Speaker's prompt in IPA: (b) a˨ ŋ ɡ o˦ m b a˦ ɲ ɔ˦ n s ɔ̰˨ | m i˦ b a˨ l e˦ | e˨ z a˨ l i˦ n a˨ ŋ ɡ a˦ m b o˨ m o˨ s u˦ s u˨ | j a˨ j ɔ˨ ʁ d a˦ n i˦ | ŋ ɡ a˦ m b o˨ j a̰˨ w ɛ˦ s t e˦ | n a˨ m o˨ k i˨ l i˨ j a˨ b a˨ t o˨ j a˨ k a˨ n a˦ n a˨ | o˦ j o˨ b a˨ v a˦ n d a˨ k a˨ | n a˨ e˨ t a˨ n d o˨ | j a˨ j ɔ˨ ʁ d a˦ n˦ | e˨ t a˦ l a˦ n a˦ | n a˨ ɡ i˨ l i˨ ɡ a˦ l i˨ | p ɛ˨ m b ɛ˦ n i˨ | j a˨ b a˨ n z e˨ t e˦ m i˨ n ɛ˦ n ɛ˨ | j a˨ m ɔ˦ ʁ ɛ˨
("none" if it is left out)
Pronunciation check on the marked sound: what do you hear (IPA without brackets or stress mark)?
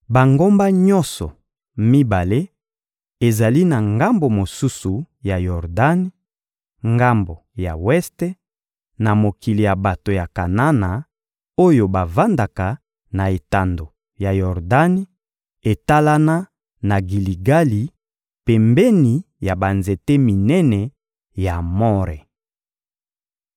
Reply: b